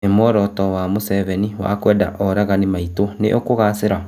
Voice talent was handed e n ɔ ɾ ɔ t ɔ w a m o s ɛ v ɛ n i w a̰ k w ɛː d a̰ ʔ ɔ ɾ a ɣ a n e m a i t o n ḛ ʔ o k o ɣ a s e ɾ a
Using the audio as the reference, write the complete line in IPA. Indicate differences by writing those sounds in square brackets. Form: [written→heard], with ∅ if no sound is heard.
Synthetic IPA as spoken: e [n→m] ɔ ɾ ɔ t ɔ w a m o s ɛ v ɛ n i w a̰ k w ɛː d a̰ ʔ ɔ ɾ a ɣ a n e m a i t o n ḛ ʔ o k o ɣ a s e ɾ a